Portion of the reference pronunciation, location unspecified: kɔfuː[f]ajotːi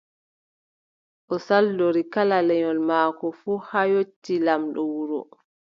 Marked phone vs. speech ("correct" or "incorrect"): incorrect